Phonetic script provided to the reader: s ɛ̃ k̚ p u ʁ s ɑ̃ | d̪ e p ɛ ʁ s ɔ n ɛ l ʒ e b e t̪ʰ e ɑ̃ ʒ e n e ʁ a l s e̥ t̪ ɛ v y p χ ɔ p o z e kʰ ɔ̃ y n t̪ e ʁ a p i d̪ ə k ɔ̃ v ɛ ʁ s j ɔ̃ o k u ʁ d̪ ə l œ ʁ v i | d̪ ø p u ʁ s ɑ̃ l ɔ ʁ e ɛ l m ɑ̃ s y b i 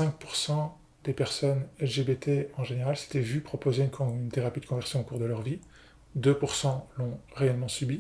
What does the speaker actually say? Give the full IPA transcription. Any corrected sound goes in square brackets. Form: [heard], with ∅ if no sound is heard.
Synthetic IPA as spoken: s ɛ̃ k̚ p u ʁ s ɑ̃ | d̪ e p ɛ ʁ s ɔ n ɛ l ʒ e b e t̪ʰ e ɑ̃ ʒ e n e ʁ a l s e̥ t̪ ɛ v y p χ ɔ p o z e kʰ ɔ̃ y n t̪ e ʁ a p i d̪ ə k ɔ̃ v ɛ ʁ s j ɔ̃ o k u ʁ d̪ ə l œ ʁ v i | d̪ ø p u ʁ s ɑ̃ l [ɔ̃] ʁ e ɛ l m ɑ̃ s y b i